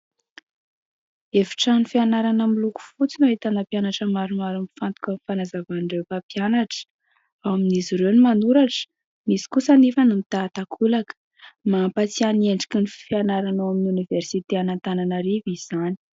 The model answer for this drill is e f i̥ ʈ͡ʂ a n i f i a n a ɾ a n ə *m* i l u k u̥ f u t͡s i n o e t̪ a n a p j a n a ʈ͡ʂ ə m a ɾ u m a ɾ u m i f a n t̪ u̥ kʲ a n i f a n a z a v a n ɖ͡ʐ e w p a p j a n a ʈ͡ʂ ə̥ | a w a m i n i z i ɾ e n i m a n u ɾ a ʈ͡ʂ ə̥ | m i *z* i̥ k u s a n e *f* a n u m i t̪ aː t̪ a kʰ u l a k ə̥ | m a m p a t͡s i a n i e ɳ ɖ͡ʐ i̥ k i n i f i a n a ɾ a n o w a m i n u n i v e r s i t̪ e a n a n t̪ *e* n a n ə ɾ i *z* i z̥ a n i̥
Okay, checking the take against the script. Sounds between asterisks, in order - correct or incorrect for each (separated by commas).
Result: correct, incorrect, correct, incorrect, incorrect